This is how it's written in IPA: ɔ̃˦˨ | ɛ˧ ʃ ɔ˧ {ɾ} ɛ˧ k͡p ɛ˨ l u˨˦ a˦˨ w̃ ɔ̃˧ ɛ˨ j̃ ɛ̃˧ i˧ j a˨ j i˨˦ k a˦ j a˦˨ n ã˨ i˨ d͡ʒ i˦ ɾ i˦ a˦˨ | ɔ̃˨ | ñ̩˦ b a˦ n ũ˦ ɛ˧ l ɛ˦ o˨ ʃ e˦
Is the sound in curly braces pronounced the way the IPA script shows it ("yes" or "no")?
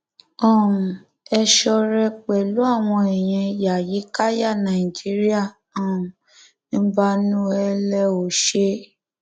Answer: yes